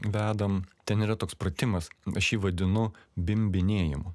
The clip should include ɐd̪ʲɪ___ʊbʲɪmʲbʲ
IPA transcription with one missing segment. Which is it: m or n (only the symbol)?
n